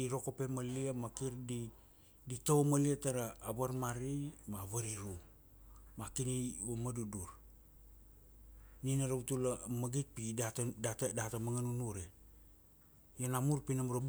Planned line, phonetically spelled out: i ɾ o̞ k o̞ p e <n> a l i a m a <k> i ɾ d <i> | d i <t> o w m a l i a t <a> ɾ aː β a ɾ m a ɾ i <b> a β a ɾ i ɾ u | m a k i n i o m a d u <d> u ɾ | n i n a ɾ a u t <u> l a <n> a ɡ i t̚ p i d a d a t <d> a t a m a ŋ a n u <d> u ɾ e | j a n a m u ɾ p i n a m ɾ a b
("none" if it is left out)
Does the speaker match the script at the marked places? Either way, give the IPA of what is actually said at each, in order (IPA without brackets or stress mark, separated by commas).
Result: m, k, i, t, a, m, d, u, m, d, n